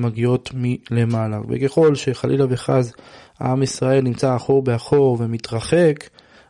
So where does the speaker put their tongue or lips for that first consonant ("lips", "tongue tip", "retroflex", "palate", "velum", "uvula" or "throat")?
lips